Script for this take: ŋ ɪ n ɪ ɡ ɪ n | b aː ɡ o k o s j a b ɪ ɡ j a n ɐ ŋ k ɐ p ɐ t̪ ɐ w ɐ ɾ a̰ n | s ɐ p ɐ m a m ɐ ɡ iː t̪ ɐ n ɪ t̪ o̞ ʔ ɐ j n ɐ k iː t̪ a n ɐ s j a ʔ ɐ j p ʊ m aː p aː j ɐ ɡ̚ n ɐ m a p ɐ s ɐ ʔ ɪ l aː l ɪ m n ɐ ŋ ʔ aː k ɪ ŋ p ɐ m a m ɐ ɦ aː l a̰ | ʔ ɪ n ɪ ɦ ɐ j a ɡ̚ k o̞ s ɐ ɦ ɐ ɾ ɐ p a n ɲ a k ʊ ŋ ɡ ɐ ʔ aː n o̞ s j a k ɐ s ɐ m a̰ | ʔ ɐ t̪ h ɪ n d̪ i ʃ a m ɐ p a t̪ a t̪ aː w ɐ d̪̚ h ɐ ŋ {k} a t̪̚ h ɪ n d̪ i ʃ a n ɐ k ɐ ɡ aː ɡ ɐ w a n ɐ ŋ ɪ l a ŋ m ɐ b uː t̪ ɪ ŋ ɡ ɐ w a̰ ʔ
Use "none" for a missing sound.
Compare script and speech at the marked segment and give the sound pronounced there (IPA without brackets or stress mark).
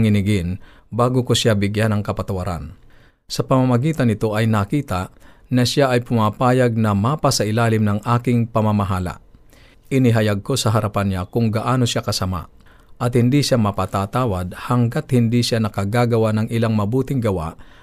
ɡ